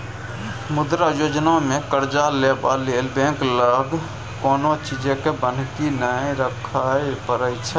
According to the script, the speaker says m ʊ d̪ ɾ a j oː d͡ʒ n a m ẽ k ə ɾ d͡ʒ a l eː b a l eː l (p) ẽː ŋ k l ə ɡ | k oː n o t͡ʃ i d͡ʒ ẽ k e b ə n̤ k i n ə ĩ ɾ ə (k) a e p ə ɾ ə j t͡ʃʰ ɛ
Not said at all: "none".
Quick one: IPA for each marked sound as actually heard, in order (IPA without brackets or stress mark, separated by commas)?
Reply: b, kʰ